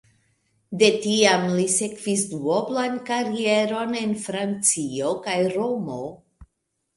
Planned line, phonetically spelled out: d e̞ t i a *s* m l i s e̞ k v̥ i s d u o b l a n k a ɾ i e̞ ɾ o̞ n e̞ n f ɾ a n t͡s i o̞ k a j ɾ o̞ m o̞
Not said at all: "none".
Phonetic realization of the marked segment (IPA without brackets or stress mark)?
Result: none